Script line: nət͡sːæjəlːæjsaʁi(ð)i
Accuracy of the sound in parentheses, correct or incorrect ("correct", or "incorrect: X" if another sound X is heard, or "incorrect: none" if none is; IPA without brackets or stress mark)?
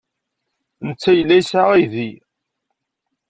correct